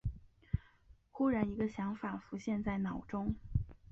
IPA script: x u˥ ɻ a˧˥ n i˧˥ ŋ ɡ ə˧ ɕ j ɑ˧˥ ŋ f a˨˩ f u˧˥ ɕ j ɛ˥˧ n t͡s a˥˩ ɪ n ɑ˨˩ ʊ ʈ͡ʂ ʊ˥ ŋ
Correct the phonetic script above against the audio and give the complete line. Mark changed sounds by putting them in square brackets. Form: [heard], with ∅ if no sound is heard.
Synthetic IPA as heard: x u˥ ɻ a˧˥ n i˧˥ [∅] ɡ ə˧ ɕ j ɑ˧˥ ŋ f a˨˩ f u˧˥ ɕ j ɛ˥˧ n t͡s a˥˩ ɪ n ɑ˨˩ ʊ ʈ͡ʂ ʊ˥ ŋ